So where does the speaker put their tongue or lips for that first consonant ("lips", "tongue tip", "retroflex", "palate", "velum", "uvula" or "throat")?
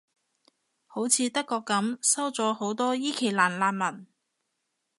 throat